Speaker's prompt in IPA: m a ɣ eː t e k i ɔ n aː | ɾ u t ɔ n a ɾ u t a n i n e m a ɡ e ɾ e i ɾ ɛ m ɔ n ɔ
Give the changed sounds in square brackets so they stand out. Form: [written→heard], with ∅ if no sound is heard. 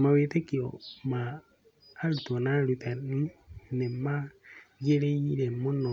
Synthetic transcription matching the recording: m a [ɣ→w] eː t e k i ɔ [n→m] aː | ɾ u t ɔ n a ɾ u t a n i n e m a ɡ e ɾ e i ɾ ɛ m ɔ n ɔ